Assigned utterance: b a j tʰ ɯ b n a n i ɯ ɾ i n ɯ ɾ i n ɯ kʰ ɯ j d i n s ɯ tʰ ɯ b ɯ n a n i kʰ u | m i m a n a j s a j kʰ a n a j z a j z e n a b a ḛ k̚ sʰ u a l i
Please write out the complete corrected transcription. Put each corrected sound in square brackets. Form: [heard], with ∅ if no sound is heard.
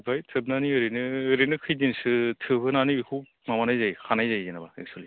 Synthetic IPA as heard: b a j tʰ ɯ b n a n i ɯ ɾ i n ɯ ɾ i n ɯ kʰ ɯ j d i n s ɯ tʰ ɯ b ɯ n a n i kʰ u | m [a] m a n a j [z] a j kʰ a n a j z a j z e n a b a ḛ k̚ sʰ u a l i

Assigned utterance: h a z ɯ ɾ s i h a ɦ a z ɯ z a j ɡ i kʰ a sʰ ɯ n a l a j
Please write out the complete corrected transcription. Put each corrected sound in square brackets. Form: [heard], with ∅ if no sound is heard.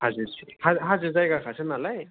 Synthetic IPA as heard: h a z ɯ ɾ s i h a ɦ a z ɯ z a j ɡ [a] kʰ a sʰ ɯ n a l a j

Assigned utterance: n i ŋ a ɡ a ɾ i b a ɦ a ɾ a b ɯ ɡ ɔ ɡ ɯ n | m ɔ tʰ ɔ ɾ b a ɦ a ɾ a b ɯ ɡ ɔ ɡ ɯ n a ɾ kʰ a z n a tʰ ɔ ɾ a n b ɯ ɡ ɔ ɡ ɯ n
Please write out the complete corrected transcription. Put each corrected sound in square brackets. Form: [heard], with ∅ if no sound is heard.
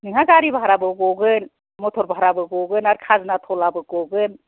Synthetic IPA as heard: n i ŋ a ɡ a ɾ i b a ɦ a ɾ a b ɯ ɡ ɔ ɡ ɯ n | m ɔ tʰ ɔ ɾ b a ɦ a ɾ a b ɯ ɡ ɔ ɡ ɯ n a ɾ kʰ a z n a tʰ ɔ [l] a [∅] b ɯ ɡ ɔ ɡ ɯ n

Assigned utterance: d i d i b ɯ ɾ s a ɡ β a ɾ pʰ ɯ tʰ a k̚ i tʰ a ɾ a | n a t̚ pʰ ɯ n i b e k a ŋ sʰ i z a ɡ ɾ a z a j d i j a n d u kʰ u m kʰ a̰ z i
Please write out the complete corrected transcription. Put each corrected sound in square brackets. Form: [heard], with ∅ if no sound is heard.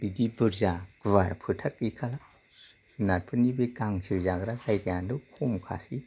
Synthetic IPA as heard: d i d i b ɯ ɾ [z] a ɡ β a ɾ pʰ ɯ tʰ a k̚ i [kʰ] a [l] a | n a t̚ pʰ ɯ n i b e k a ŋ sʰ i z a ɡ ɾ a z a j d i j a n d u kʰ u m kʰ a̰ [s] i

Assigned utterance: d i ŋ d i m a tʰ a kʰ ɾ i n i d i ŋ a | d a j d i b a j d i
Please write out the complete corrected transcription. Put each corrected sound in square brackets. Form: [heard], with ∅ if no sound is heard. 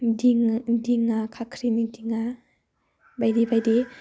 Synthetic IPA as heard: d i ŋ d i [ŋ] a [kʰ] a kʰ ɾ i n i d i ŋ a | [b] a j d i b a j d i

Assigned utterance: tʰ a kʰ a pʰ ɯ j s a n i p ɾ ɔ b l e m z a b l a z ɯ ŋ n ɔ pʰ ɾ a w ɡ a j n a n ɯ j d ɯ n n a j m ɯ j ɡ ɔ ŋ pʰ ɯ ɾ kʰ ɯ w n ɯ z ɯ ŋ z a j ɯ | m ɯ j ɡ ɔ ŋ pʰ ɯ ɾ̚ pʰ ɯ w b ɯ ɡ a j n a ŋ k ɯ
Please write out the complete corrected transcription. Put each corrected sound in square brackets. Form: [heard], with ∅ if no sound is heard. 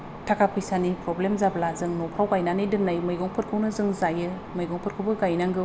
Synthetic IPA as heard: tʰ a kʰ a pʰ ɯ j s a n i p ɾ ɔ b l e m z a b l a z ɯ ŋ n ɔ pʰ ɾ a w ɡ a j n a n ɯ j d ɯ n n a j m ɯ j ɡ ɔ ŋ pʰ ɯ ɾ kʰ ɯ w n ɯ z ɯ ŋ z a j ɯ | m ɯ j ɡ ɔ ŋ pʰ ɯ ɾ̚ [kʰ] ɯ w b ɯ ɡ a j n a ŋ [ɡ] ɯ

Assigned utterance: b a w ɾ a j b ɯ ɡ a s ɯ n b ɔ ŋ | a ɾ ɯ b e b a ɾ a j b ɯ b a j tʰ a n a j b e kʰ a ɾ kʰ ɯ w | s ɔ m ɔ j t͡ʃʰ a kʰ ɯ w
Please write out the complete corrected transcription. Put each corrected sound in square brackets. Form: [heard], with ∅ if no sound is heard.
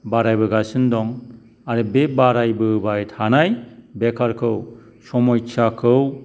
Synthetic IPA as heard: b a [∅] ɾ a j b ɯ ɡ a s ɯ n [d] ɔ ŋ | a ɾ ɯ b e b a ɾ a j b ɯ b a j tʰ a n a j b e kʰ a ɾ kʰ ɯ w | s ɔ m ɔ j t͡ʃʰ a kʰ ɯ w

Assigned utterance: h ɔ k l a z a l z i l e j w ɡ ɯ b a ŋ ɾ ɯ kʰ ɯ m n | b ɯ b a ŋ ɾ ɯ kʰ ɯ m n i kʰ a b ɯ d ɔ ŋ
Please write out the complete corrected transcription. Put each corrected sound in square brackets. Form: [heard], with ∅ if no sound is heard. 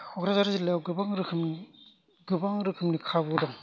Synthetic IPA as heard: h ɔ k [ɾ] a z a [ɾ] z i l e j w ɡ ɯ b a ŋ ɾ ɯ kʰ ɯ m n | [ɡ] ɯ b a ŋ ɾ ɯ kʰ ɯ m n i kʰ a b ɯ d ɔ ŋ

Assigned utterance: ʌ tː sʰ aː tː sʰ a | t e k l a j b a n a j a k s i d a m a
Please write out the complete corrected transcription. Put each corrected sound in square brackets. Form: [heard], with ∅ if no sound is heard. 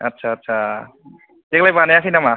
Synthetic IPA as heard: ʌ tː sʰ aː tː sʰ a | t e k l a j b a n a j a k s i [n] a m a

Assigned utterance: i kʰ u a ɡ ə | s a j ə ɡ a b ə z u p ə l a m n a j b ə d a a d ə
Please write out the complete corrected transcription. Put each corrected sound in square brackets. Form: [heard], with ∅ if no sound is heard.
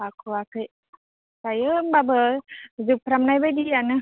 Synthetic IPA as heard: [a] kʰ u a [k] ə | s a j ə [b] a b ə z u p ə [ɾ] a m n a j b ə d [i] a [n] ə

